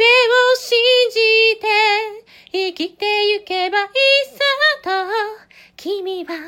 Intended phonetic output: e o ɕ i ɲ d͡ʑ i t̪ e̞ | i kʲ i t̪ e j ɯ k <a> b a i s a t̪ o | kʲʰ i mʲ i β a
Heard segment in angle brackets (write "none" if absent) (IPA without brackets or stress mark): e